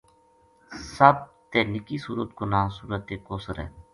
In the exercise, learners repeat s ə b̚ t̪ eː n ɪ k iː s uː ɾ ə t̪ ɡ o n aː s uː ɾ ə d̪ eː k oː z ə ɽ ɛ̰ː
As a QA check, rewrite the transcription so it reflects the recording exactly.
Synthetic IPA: s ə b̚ t̪ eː n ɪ k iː s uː ɾ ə t̪ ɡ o n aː s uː ɾ ə t̪ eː k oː s ə ɾ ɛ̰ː